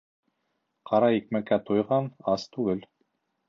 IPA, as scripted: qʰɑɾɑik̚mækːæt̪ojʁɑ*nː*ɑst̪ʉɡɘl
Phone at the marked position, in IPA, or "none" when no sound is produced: n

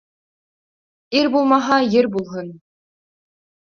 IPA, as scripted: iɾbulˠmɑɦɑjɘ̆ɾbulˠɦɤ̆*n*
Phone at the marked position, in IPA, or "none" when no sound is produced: n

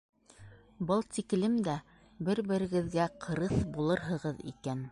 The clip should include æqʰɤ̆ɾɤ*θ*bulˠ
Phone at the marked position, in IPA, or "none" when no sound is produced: θ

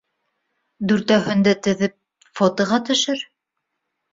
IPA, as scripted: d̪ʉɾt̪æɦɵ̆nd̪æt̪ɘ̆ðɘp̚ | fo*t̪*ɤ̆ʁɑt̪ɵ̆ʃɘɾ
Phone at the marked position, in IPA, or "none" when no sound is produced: t̪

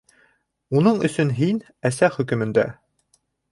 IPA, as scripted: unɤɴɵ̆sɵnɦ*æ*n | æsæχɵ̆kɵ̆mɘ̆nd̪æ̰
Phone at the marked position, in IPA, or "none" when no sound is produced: i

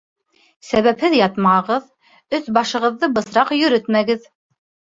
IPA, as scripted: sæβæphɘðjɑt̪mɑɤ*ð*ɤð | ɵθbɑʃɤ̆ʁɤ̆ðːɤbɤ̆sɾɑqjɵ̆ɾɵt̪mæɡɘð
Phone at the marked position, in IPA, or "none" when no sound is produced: ʁ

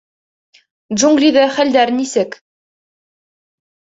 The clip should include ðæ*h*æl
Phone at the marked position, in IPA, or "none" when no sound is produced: χ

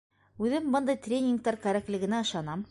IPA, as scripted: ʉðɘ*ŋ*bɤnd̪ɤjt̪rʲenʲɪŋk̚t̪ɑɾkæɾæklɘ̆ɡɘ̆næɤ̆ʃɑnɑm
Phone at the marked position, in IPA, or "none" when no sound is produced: m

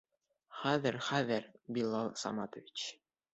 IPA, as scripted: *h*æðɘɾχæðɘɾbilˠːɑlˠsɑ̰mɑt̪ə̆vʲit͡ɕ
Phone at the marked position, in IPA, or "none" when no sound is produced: χ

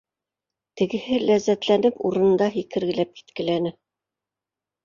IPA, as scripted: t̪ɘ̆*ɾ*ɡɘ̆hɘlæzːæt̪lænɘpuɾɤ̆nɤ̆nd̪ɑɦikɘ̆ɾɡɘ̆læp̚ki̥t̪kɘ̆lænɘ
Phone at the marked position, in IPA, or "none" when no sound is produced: none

